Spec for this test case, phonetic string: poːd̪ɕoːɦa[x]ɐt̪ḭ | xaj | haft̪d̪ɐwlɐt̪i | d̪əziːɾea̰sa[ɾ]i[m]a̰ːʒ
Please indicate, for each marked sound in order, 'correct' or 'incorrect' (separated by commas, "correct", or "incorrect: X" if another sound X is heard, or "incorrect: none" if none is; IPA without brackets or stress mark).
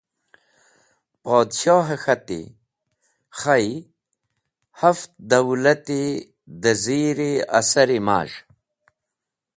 correct, correct, correct